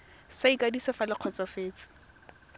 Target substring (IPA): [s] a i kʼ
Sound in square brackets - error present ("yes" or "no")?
no